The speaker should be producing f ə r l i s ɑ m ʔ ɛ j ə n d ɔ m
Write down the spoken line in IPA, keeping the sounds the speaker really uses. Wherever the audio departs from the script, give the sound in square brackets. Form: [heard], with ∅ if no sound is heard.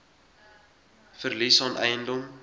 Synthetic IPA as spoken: f ə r l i s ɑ [n] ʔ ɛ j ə n d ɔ m

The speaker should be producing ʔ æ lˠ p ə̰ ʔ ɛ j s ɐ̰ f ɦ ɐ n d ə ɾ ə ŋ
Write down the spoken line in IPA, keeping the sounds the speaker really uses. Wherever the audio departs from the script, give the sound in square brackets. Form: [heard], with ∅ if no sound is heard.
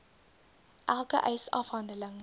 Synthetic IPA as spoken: ʔ æ lˠ [k] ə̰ ʔ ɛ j s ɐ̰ f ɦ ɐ n d ə [l] ə ŋ

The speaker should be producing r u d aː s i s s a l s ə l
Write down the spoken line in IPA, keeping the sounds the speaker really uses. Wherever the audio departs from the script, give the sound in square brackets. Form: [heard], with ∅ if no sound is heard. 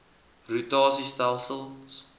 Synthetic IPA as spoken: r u [t] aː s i s [t] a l s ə l

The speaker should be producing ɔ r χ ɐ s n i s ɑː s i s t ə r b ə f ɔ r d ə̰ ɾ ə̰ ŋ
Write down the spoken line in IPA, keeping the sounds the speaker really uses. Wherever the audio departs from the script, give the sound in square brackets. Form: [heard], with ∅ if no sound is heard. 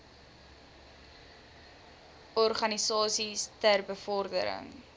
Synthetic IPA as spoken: ɔ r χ ɐ [∅] n i s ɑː s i s t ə r b ə f ɔ r d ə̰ ɾ ə̰ ŋ

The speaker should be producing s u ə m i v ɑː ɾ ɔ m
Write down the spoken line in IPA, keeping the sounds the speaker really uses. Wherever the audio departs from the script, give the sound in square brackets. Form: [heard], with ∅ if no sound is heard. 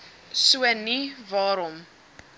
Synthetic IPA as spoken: s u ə [n] i v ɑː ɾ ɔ m

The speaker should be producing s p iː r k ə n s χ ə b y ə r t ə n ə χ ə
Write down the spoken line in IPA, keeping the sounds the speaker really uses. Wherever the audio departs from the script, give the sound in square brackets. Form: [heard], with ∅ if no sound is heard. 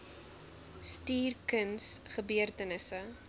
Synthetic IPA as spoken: s [t] iː r k ə n s χ ə b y ə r t ə n ə [s] ə

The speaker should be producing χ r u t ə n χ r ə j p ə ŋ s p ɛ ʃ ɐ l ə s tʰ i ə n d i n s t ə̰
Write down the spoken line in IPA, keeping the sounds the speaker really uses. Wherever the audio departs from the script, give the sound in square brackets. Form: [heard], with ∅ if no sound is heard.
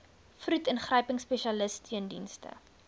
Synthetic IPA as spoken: [f] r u t ə n χ r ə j p ə ŋ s p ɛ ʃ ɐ l ə s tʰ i ə n d i n s t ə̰

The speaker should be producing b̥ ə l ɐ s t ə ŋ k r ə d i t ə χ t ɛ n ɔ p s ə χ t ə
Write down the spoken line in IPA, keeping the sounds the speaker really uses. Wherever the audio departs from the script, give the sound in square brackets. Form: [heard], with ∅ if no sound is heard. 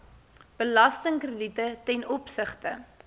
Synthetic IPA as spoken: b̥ ə l ɐ s t ə ŋ k r ə d i t ə [∅] t ɛ n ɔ p s ə χ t ə

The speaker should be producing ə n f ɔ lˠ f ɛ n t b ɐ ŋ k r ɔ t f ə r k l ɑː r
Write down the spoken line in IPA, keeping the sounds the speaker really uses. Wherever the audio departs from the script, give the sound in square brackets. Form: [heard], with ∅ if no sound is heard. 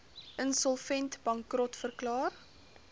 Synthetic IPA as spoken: ə n [s] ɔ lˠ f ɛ n t b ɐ ŋ k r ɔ t f ə r k l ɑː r

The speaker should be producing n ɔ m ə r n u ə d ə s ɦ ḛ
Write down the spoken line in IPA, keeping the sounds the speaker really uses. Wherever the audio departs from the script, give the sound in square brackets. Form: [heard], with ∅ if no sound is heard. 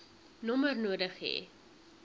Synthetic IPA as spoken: n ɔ m ə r n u ə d ə [χ] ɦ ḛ

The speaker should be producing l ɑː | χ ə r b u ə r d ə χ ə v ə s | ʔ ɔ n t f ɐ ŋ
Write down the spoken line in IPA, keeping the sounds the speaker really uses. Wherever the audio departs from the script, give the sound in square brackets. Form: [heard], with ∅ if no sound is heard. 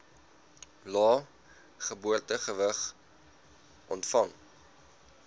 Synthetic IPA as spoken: l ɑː | χ ə [∅] b u ə r [t] ə χ ə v ə [χ] | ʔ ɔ n t f ɐ ŋ

